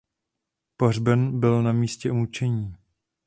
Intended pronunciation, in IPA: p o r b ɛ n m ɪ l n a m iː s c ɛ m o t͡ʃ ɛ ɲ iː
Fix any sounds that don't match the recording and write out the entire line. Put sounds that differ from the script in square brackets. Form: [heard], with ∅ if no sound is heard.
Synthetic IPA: p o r b ɛ n [b] ɪ l n a m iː s c ɛ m [u] t͡ʃ ɛ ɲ iː